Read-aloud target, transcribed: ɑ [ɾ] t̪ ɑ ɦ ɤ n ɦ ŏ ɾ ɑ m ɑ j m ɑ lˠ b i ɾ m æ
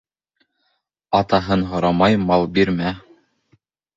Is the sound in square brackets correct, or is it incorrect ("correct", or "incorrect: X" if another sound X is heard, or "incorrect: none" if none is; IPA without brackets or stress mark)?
incorrect: none